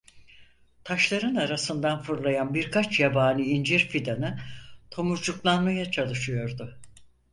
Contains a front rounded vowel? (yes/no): no